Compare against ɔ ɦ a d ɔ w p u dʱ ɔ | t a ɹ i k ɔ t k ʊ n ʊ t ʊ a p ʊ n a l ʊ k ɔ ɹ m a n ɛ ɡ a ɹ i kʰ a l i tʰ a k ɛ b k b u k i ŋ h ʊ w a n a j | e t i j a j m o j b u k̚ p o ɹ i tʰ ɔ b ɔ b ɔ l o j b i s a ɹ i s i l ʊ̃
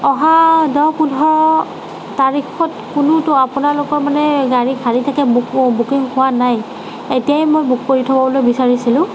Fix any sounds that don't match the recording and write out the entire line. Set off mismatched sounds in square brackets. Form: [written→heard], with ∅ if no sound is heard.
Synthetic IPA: ɔ ɦ a d ɔ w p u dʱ ɔ | t a ɹ i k ɔ t k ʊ n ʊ t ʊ a p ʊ n a l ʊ k ɔ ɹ m a n ɛ ɡ a ɹ i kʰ a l i tʰ a k ɛ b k b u k i ŋ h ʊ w a n a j | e t i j a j m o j b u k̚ p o ɹ i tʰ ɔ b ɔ b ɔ l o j b i s a ɹ i s i l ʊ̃